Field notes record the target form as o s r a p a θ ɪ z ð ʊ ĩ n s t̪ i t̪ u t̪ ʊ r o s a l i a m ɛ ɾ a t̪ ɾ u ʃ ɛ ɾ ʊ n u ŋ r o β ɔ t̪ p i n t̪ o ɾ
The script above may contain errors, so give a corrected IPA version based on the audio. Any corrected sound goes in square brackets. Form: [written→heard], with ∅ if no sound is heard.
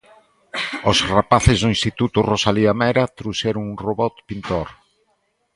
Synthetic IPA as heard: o s r a p a θ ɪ z ð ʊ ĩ n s t̪ i t̪ u t̪ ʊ r o s a l i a m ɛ ɾ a t̪ ɾ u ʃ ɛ ɾ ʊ [n→ŋ] u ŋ r o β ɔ t̪ p i n t̪ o ɾ